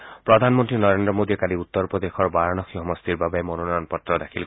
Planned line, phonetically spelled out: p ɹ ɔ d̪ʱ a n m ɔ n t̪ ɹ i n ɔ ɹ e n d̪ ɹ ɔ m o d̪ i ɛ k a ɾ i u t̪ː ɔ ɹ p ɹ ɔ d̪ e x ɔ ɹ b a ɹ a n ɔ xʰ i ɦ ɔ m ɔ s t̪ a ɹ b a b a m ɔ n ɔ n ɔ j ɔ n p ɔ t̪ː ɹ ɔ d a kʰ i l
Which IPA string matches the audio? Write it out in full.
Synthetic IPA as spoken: p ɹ ɔ d̪ʱ a n m ɔ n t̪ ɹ i n ɔ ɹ e n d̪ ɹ ɔ m o d̪ i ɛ k a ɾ i u t̪ː ɔ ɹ p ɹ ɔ d̪ e x ɔ ɹ b a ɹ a n ɔ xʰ i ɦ ɔ m ɔ s t̪ i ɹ b a b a m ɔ n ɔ n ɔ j ɔ n p ɔ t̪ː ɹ ɔ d a kʰ i l